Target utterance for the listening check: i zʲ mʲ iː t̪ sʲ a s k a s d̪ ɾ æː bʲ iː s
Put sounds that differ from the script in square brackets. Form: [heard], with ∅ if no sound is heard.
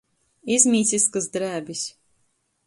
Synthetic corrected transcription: i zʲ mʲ iː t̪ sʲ [i] s k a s d̪ ɾ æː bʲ [i] s